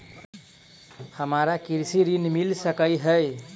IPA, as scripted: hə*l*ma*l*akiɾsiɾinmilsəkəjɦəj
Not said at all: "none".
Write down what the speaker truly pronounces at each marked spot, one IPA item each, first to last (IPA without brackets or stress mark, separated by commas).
none, ɾ